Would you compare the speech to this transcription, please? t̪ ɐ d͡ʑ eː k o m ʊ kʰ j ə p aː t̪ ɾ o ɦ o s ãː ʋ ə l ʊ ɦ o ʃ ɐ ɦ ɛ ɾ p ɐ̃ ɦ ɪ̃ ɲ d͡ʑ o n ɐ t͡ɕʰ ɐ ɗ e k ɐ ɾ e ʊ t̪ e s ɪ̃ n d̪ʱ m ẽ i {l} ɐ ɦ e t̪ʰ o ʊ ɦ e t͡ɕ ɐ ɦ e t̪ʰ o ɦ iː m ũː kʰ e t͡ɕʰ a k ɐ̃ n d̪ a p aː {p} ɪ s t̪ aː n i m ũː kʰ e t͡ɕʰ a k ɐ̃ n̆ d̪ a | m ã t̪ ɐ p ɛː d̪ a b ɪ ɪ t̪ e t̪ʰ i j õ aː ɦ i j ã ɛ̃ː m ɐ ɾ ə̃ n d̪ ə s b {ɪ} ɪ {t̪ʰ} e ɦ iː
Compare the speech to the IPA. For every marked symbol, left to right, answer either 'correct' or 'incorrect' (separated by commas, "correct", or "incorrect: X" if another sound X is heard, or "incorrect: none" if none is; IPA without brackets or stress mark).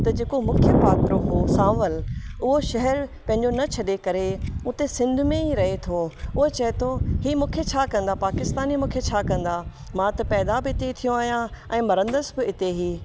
incorrect: ɾ, incorrect: k, correct, incorrect: t̪